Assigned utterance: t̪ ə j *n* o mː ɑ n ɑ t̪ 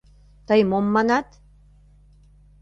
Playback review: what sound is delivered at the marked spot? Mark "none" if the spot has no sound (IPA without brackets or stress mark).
m